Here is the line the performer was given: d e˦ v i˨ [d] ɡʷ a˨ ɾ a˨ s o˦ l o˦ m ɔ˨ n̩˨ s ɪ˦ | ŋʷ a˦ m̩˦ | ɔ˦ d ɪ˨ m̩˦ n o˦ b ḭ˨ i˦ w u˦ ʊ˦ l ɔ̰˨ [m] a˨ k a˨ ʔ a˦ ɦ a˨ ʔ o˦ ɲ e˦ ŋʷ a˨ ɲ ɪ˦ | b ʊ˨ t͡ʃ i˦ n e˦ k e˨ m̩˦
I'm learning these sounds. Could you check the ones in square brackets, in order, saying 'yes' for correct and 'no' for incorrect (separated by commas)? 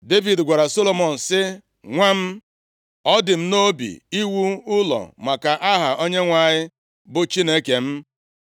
yes, yes